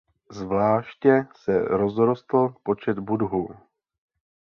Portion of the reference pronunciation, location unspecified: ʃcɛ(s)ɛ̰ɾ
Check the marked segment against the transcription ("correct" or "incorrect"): correct